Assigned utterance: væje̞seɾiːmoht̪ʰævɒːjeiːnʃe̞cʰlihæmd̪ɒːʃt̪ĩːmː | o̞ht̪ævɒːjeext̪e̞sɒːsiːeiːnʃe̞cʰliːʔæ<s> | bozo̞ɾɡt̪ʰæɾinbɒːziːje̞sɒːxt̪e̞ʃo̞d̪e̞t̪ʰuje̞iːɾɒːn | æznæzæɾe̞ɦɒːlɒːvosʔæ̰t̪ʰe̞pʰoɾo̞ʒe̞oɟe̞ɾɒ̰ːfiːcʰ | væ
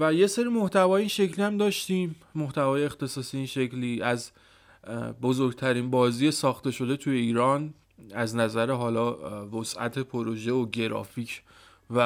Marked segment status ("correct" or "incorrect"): incorrect